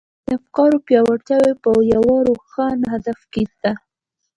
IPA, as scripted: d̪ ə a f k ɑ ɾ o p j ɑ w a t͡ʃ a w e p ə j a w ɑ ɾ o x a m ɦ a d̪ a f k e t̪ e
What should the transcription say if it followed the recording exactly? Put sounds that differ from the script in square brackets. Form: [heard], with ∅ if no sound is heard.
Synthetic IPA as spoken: d̪ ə a f k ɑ ɾ o p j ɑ w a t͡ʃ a w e p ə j a w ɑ ɾ o x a [n] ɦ a d̪ a f k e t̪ [a]